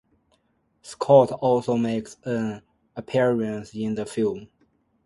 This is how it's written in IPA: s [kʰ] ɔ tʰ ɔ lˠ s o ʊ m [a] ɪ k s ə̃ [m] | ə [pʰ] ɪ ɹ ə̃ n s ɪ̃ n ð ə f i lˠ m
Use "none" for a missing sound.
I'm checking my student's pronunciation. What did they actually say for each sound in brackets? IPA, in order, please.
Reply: kʰ, e, n, pʰ

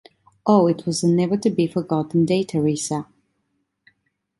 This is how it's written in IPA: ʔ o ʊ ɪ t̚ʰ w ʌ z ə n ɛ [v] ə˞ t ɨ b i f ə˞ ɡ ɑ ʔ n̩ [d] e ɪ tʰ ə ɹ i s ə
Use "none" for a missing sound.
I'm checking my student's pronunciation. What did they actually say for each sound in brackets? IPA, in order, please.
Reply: v, d

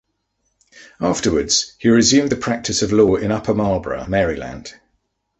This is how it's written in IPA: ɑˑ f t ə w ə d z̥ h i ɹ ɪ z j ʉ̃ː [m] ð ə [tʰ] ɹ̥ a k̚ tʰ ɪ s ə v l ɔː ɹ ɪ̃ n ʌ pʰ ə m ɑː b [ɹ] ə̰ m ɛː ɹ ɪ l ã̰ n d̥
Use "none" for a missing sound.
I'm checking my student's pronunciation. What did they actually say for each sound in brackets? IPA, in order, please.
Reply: m, pʰ, ɹ

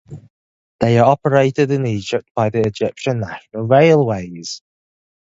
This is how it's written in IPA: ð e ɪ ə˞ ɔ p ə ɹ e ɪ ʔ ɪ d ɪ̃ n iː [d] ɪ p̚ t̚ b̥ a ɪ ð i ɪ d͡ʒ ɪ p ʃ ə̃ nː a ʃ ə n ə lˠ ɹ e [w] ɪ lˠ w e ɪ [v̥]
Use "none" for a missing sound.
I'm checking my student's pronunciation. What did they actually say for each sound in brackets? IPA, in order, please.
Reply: d͡ʒ, none, z̥

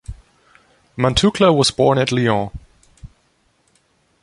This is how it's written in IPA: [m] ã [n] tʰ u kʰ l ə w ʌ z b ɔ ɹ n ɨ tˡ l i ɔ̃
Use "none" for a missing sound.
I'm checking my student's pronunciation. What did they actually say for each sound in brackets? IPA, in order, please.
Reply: m, n

